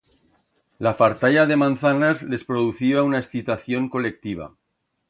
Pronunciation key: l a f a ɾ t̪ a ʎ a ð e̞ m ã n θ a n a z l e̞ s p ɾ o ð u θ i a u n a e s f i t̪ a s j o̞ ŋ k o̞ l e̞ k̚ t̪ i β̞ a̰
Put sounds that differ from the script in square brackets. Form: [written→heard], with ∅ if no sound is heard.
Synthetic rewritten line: l a f a ɾ t̪ a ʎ a ð e̞ m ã n θ a n a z l e̞ s p ɾ o ð u θ i a u n a e s [f→θ] i t̪ a [s→θ] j o̞ ŋ k o̞ l e̞ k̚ t̪ i β̞ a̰